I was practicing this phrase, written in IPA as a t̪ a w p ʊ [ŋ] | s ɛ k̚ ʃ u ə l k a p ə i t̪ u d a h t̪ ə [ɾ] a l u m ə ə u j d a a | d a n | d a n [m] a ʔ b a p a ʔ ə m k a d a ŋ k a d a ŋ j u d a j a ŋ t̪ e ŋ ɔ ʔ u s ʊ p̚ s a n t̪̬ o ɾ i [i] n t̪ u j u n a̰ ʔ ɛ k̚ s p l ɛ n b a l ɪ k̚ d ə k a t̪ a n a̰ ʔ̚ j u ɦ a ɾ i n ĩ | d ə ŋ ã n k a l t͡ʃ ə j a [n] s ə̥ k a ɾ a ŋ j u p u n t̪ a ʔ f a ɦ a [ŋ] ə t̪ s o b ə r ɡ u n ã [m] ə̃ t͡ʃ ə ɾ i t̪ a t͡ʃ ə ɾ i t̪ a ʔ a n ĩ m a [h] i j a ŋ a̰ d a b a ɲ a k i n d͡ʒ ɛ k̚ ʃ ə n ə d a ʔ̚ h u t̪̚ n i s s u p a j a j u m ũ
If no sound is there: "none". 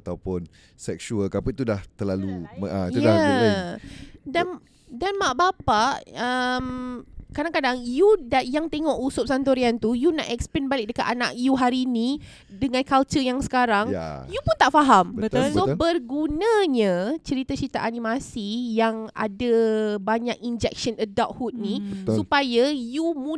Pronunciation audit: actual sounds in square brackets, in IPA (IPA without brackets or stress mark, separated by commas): n, l, m, a, ŋ, m, ɲ, s